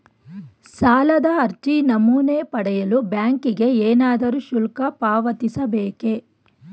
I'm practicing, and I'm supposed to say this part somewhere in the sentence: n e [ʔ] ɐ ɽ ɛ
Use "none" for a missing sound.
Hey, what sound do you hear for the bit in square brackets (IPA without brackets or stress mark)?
p